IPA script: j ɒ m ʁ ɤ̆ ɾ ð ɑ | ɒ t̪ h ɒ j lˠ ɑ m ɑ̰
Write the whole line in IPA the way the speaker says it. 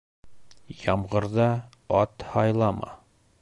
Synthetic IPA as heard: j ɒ m ʁ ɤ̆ ɾ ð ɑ | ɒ t̪ h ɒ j lˠ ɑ m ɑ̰

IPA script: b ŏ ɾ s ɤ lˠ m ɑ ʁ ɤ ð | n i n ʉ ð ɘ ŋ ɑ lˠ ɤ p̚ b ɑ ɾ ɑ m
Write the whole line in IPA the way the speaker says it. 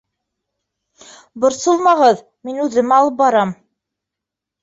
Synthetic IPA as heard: b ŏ ɾ s ɤ lˠ m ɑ ʁ ɤ ð | m i n ʉ ð ɘ m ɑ lˠ ɤ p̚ b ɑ ɾ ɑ m

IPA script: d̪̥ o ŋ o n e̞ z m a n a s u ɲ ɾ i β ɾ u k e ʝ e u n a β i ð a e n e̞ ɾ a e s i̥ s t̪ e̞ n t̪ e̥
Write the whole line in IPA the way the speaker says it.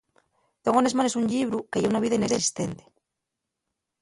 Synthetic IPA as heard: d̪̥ o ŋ o n e̞ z m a n e s u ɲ ʎ i β ɾ u k e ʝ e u n a β i ð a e n e̞ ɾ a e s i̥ s t̪ e̞ n t̪ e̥

